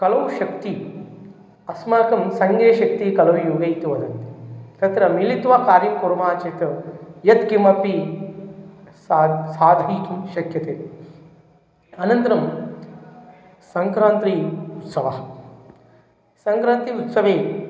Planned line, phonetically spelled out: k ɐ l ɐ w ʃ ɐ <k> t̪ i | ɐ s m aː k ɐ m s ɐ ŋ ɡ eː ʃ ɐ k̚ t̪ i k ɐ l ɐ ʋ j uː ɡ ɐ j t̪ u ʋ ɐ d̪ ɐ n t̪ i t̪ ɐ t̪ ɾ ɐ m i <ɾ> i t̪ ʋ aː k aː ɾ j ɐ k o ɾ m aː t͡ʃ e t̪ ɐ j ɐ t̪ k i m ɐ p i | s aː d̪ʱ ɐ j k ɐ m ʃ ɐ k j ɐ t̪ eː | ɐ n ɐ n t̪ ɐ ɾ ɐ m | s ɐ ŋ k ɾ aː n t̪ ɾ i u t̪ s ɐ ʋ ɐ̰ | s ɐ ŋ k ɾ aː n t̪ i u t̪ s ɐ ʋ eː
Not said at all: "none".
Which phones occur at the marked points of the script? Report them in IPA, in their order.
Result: k, l

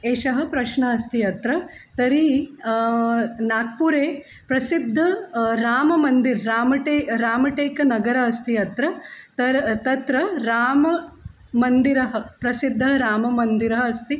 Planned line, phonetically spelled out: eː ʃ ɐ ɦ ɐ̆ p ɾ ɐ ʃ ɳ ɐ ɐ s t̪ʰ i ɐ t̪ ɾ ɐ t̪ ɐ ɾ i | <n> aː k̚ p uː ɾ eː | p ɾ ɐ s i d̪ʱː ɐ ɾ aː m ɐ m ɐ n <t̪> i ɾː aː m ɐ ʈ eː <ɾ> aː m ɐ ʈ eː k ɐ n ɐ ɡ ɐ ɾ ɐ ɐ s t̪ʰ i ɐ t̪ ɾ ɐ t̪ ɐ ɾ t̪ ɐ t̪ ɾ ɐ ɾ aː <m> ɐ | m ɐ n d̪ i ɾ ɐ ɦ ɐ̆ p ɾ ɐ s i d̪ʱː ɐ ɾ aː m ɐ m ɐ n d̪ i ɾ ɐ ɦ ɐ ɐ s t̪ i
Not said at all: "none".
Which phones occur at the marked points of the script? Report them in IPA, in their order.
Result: n, d̪, ɾ, m

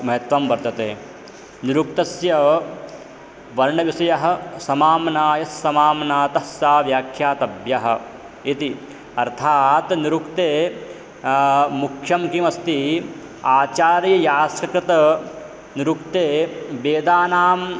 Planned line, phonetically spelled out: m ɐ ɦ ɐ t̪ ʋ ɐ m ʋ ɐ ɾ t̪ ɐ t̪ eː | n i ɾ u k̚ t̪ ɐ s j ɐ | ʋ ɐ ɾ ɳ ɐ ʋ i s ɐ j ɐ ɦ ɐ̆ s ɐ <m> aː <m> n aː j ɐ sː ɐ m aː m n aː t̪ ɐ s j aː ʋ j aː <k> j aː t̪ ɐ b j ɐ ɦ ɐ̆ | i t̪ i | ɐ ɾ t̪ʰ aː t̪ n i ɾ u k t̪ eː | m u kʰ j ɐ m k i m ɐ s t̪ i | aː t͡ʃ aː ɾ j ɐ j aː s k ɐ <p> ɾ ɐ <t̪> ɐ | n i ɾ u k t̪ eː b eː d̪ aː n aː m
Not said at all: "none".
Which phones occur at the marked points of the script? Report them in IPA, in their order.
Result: m, m, kʰ, k, t̪

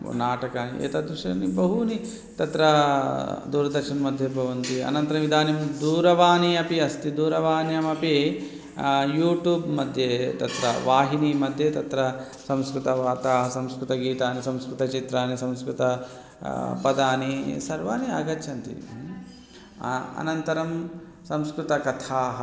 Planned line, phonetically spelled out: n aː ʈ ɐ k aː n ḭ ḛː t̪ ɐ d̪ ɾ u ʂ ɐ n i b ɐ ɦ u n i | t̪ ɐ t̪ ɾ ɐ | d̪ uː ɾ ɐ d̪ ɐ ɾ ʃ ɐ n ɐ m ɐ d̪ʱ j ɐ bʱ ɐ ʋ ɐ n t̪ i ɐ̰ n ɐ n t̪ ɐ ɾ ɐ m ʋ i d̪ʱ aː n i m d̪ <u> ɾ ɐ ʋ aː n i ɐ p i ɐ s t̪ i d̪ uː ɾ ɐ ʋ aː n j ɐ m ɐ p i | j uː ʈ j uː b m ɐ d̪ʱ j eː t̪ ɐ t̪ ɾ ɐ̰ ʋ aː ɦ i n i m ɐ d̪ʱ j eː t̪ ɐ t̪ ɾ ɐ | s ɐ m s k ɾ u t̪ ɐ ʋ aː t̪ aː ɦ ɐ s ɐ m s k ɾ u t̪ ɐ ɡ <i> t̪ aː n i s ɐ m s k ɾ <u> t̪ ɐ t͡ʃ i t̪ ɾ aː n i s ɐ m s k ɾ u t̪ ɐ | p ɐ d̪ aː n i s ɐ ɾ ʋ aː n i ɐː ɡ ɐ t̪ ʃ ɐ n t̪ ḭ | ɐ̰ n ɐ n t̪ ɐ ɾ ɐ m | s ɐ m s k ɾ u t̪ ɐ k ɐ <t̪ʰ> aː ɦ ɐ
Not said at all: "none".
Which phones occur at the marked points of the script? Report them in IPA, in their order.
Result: uː, iː, u, t̪ʰ

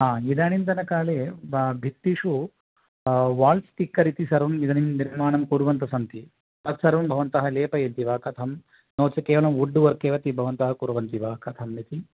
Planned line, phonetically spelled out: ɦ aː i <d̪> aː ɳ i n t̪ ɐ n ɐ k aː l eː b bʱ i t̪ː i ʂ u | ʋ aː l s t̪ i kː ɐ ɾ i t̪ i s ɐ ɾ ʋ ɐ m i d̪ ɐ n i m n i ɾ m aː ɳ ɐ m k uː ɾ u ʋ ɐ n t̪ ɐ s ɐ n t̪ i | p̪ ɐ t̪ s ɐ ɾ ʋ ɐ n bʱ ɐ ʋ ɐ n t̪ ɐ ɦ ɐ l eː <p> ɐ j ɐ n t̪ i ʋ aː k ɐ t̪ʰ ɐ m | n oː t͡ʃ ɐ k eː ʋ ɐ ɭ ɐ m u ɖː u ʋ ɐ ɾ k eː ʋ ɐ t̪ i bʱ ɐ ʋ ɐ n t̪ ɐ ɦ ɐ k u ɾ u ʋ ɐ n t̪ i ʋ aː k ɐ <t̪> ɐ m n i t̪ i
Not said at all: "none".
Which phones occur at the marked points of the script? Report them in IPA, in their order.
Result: d̪, p, t̪ʰ

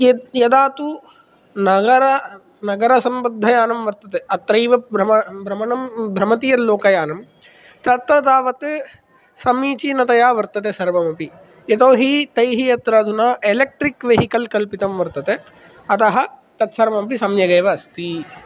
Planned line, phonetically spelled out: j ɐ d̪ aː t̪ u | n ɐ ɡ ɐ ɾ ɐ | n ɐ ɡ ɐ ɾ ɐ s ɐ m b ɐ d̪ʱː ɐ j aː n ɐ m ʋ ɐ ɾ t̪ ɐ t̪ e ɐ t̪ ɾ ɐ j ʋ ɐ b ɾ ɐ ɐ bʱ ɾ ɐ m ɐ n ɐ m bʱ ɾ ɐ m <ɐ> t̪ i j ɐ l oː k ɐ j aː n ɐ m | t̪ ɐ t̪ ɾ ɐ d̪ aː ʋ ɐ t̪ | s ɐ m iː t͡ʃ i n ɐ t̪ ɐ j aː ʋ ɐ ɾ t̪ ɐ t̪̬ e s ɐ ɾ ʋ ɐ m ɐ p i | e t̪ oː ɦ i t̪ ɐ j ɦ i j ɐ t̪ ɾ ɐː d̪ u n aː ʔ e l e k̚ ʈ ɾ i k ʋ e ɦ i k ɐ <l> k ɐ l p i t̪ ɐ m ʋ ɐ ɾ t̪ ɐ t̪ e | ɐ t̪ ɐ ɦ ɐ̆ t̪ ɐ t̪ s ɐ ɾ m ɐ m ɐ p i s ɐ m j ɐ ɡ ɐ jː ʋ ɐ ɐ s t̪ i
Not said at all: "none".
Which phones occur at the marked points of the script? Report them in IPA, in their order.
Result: ɐ, l

